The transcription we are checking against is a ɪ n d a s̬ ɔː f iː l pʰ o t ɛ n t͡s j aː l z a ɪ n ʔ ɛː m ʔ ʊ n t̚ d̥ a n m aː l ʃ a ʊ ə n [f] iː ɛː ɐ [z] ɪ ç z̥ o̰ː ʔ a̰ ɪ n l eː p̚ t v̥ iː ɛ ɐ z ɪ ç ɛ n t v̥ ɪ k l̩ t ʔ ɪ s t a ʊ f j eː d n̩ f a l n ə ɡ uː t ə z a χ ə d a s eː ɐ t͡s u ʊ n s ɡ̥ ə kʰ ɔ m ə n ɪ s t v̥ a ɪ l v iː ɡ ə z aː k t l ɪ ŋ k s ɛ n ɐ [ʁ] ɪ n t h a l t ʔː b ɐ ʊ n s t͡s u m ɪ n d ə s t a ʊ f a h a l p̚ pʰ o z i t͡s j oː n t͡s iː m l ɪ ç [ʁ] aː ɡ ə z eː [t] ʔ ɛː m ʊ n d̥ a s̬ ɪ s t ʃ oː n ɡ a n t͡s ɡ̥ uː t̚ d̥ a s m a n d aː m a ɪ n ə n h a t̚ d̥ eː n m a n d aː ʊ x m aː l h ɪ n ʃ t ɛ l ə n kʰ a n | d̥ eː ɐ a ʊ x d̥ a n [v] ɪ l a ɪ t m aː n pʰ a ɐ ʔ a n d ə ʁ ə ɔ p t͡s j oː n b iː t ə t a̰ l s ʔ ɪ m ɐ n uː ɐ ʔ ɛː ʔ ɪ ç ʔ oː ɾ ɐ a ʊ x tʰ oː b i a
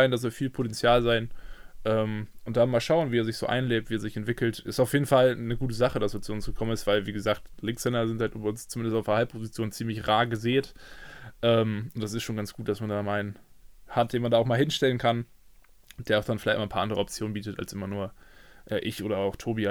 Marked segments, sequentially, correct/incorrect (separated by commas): incorrect, correct, incorrect, correct, correct, incorrect